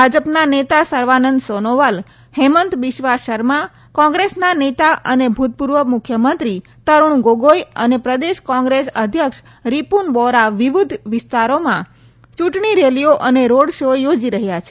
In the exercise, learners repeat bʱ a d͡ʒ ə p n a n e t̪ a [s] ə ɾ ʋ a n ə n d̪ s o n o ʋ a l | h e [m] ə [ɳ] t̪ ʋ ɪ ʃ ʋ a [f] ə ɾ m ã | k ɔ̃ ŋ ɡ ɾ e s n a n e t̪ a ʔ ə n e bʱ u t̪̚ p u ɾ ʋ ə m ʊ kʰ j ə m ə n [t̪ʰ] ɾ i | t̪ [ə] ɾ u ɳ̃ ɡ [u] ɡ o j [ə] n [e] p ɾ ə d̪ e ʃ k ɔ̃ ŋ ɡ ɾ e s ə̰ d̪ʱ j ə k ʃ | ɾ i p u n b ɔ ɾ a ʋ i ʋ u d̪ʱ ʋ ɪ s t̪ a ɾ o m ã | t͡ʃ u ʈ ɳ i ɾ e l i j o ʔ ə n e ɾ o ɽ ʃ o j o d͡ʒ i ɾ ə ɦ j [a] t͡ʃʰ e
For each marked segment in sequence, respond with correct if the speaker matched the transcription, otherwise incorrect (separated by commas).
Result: correct, correct, incorrect, incorrect, incorrect, correct, incorrect, correct, correct, correct